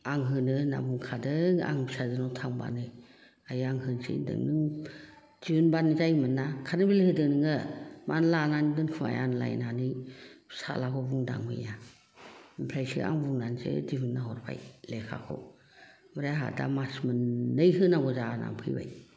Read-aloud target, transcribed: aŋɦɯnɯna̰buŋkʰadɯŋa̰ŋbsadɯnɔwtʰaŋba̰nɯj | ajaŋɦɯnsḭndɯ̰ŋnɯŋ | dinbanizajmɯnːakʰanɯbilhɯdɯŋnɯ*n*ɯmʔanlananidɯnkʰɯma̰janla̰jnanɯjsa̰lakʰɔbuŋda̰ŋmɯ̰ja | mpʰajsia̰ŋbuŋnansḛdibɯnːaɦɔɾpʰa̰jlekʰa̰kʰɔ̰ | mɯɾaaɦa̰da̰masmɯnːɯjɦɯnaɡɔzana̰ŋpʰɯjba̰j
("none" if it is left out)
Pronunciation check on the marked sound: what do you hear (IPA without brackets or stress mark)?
ŋ